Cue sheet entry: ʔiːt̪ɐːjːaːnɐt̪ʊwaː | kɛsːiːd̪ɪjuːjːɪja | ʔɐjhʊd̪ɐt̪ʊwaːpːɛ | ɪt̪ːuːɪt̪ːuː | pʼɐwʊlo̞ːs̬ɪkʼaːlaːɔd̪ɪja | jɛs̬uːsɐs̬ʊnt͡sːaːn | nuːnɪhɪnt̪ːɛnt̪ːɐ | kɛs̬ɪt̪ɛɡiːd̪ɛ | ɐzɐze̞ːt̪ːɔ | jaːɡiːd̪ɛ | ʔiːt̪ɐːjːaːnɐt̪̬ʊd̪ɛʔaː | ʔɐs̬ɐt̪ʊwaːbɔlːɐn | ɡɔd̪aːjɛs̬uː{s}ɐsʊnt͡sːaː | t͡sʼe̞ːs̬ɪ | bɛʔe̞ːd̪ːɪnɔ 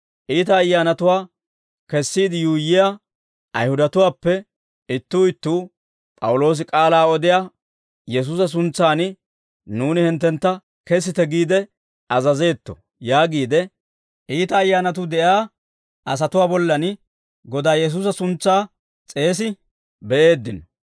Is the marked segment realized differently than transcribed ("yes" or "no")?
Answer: no